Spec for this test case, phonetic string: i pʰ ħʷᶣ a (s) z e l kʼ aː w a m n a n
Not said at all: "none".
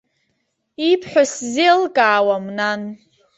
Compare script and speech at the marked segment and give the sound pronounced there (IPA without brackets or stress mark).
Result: s